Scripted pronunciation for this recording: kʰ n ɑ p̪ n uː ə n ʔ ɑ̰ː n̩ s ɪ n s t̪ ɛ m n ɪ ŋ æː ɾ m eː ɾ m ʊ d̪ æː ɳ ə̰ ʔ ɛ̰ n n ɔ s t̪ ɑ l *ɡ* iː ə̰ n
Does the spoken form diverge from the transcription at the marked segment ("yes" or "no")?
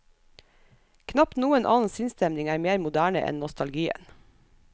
no